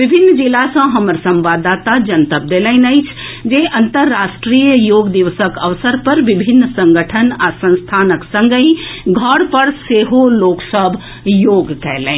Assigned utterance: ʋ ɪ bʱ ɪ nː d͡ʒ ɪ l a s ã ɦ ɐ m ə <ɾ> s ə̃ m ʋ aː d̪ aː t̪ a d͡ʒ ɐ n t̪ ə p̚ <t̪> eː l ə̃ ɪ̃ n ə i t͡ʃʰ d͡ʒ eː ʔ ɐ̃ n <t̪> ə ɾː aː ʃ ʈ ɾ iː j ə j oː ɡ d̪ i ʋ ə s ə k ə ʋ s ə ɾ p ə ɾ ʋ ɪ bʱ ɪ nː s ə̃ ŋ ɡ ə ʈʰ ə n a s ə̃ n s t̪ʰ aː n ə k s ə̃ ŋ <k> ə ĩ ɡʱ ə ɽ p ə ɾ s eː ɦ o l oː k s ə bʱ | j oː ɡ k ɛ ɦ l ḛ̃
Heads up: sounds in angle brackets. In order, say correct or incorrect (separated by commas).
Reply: correct, incorrect, correct, incorrect